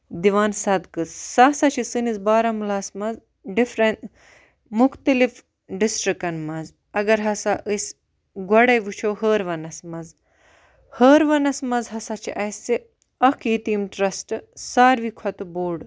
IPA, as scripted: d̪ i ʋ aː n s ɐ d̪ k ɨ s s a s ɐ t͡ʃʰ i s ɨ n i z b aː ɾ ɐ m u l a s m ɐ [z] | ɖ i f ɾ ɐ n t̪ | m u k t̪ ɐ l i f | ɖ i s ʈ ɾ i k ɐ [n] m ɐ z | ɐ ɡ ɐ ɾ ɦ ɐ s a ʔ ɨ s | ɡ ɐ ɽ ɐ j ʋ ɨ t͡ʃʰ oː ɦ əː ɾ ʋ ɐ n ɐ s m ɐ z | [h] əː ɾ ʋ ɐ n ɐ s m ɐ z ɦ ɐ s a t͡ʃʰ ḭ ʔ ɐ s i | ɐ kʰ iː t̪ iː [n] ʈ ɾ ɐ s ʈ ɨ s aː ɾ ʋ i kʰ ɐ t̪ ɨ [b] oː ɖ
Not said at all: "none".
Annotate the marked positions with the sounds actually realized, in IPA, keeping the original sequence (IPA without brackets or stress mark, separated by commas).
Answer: z, n, h, m, b